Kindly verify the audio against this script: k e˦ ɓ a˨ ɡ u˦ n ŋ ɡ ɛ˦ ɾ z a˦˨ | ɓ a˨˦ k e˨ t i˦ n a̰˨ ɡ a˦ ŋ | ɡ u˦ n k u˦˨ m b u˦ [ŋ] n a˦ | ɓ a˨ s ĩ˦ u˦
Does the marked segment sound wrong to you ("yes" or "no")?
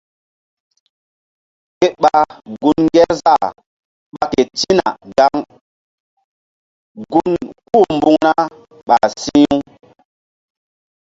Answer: no